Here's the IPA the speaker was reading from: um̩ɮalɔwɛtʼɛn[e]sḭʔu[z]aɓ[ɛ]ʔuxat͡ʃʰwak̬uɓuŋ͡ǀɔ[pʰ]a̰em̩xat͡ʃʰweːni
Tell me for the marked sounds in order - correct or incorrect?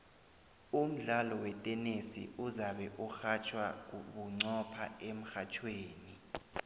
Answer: correct, correct, correct, correct

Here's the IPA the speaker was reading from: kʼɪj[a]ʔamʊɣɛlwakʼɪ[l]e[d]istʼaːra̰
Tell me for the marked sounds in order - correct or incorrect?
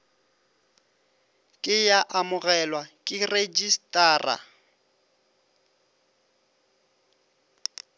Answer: correct, incorrect: r, incorrect: d͡ʒ

